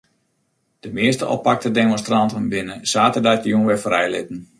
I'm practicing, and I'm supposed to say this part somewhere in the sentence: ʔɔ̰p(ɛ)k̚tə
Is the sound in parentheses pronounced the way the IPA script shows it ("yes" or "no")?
no